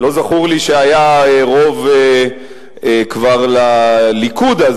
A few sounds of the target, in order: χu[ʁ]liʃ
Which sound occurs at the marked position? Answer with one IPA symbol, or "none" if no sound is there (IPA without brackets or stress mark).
ʁ